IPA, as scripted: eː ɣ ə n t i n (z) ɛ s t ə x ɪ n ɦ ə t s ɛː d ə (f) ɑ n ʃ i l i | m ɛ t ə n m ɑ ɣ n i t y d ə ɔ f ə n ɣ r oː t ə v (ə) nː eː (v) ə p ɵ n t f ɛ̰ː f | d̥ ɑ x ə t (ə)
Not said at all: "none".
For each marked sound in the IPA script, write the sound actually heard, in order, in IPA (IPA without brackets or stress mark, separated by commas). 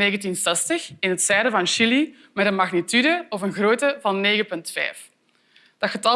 s, v, ɑ, ɣ, ɑ